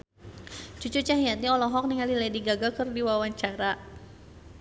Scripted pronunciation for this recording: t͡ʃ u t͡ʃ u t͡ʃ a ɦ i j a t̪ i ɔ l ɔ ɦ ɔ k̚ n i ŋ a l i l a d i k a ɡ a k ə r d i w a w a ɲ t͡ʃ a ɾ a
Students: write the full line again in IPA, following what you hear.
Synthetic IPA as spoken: t͡ʃ u t͡ʃ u t͡ʃ a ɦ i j a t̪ i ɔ l ɔ ɦ ɔ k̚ n i ŋ a l i l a d i ɡ a ɡ a k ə r d i w a w a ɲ t͡ʃ a ɾ a

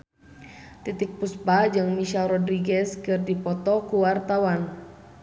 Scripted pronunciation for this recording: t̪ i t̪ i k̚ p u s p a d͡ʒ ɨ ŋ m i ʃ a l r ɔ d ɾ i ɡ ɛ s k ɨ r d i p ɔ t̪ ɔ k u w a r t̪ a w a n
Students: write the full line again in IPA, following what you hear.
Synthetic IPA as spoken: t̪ i t̪ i k̚ p u s p a d͡ʒ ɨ ŋ m i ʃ a l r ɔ d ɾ i ɡ ɛ s k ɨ r d i p ɔ t̪ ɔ k u w a r t̪ a w a n

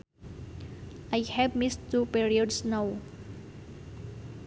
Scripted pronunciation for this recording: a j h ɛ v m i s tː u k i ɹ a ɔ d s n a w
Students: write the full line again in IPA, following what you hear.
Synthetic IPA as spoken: a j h ɛ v m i s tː u p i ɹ i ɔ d s n a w

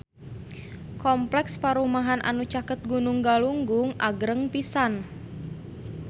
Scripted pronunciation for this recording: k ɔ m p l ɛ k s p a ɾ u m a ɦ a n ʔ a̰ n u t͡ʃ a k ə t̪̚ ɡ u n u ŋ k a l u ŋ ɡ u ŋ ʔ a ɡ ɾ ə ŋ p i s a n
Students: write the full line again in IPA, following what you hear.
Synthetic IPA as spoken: k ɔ m p l ɛ k s p a ɾ u m a ɦ a n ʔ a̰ n u t͡ʃ a k ə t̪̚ ɡ u n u ŋ ɡ a l u ŋ ɡ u ŋ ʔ a ɡ ɾ ə ŋ p i s a n

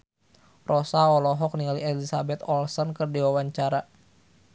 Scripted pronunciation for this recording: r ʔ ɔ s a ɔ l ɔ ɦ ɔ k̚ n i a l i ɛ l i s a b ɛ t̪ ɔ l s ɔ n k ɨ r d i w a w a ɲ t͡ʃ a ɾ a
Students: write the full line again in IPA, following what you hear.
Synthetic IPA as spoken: r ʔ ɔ s a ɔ l ɔ ɦ ɔ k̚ n i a l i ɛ l i s a b ɛ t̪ ɔ l s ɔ n k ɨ r d i w a w a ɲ t͡ʃ a ɾ a

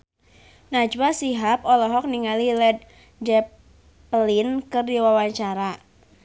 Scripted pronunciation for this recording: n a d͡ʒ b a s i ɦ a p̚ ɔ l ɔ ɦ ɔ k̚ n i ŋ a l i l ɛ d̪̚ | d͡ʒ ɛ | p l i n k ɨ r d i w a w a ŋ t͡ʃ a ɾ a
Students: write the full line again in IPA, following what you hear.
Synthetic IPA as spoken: n a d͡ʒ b a s i ɦ a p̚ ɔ l ɔ ɦ ɔ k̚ n i ŋ a l i l ɛ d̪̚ | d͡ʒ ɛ | p l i n k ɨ r d i w a w a ɲ t͡ʃ a ɾ a

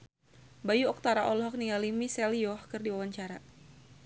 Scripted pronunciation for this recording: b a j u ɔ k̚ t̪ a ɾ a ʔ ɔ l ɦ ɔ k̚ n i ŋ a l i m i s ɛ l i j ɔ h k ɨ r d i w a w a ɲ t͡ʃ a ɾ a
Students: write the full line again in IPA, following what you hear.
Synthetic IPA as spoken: b a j u ɔ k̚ t̪ a ɾ a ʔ ɔ l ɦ ɔ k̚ n i ŋ a l i m i s ɛ l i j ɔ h k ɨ r d i w a w a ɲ t͡ʃ a ɾ a

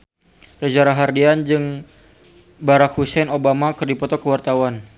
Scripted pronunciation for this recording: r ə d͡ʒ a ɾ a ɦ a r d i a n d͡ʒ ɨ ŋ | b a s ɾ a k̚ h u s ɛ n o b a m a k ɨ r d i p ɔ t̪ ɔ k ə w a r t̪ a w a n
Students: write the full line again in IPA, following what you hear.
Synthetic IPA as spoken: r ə d͡ʒ a ɾ a ɦ a r d i a n d͡ʒ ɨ ŋ | b a ɾ a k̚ h u s ɛ n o b a m a k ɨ r d i p ɔ t̪ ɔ k ə w a r t̪ a w a n

